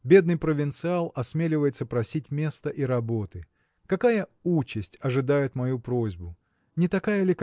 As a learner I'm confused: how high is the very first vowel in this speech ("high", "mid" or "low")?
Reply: mid